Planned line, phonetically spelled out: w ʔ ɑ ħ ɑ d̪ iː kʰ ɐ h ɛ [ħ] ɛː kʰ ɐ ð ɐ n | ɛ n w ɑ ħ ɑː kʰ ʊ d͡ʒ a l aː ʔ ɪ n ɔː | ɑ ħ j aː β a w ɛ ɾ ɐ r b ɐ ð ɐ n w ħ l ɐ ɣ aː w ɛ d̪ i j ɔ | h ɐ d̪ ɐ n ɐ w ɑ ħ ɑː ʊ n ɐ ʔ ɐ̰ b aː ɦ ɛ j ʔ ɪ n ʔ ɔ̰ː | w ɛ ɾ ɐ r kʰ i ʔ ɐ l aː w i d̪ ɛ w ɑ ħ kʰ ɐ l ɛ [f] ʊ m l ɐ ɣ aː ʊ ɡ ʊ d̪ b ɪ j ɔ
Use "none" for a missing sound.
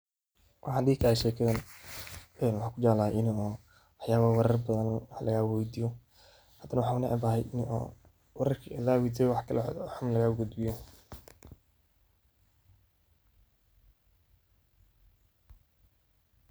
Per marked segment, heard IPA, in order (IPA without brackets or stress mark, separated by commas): ʃ, ħ